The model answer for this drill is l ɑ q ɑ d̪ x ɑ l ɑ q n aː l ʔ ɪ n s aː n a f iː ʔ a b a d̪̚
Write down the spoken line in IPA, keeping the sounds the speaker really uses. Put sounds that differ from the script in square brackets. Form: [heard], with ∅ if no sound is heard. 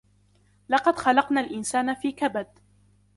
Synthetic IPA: l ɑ q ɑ d̪ x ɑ l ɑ q n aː l ʔ ɪ n s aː n a f iː [k] a b a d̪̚

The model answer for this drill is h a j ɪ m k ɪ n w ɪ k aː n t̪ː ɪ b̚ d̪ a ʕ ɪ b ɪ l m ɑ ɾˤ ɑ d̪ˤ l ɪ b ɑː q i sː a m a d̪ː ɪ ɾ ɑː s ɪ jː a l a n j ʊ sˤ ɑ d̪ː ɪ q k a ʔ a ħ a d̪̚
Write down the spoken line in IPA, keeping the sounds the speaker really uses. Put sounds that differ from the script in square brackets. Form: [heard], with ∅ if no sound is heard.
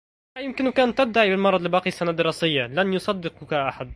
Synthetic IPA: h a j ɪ m k ɪ n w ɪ k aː n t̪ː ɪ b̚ d̪ a ʕ [i] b ɪ l m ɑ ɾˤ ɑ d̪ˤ l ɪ b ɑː q i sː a [n] a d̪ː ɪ ɾ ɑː s ɪ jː a l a n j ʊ sˤ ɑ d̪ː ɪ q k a ʔ a ħ a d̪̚

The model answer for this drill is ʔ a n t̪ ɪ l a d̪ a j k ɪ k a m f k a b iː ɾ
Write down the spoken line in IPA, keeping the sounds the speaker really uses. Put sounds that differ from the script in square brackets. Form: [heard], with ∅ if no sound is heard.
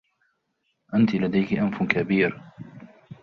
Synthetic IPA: ʔ a n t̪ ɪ l a d̪ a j k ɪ [ʔ] a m f k a b iː ɾ

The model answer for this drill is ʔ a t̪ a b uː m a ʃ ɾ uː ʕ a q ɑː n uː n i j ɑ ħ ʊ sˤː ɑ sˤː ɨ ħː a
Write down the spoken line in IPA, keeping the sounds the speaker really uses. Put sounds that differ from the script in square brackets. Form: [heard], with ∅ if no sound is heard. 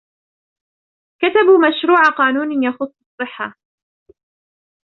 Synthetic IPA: [k] a t̪ a b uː m a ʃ ɾ uː ʕ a q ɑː n uː n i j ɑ [x] ʊ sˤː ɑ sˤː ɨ ħː a

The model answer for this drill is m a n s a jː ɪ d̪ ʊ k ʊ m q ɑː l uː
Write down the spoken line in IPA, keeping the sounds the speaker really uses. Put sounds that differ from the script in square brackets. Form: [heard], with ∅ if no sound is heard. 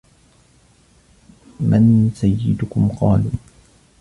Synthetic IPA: m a n s a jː ɪ d̪ ʊ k ʊ m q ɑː l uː

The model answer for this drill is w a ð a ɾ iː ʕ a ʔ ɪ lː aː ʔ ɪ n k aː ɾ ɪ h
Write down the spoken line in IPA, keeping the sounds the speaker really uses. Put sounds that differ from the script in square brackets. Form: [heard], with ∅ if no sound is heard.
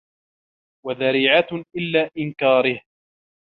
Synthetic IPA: w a ð a ɾ iː ʕ a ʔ ɪ lː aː ʔ ɪ n k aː ɾ ɪ h

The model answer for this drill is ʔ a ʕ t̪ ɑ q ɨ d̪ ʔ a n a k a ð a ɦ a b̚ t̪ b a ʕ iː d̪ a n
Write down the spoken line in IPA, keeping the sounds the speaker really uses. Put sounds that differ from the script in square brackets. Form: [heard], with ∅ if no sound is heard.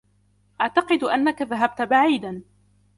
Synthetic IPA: ʔ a ʕ t̪ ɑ q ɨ d̪ ʔ a [nː] a k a ð a ɦ a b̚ t̪ b a ʕ iː d̪ a n

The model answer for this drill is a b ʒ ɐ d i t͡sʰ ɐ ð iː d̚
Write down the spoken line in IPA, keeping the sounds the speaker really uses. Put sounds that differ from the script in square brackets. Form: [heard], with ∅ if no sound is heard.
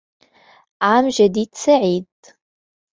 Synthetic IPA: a [m] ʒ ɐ d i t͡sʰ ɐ [ʕ] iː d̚

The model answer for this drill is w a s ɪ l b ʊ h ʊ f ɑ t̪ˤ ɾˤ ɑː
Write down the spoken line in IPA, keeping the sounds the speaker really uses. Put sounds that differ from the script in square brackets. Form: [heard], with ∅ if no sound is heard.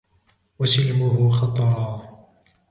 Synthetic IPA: w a s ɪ l [m] ʊ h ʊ [x] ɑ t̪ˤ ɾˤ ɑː

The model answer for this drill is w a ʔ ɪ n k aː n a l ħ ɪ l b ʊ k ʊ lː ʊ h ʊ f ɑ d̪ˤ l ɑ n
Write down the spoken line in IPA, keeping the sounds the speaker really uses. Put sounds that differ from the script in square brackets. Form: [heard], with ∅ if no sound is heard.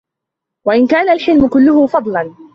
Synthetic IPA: w a ʔ ɪ n k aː n a l ħ ɪ l [m] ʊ k ʊ lː ʊ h ʊ f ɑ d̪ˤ l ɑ n

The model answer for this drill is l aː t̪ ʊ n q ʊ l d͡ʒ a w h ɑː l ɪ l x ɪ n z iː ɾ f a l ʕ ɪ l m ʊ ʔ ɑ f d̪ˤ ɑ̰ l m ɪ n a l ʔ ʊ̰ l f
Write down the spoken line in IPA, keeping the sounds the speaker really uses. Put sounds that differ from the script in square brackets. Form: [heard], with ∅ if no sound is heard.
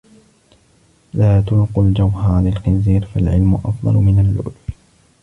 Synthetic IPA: l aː t̪ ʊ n q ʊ l d͡ʒ a w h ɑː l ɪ l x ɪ n z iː ɾ f a l ʕ ɪ l m ʊ ʔ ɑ f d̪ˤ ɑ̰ l m ɪ n a l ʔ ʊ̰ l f

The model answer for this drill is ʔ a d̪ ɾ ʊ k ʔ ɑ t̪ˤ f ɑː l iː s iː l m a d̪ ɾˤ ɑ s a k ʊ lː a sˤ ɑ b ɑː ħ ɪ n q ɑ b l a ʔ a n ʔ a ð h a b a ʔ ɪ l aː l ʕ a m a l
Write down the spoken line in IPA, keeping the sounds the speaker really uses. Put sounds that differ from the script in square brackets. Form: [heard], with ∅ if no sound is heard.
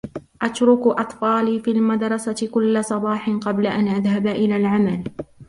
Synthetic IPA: ʔ a [t̪] ɾ ʊ k ʔ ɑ t̪ˤ f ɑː l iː [f] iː l m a d̪ ɾˤ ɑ s a k ʊ lː a sˤ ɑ b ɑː ħ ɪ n q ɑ b l a ʔ a n ʔ a ð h a b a ʔ ɪ l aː l ʕ a m a l

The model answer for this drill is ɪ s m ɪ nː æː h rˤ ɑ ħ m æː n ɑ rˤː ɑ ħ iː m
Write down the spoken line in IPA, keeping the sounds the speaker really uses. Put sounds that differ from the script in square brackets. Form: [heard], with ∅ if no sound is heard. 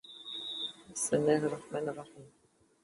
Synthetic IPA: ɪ s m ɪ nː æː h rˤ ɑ ħ m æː n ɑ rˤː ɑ ħ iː m

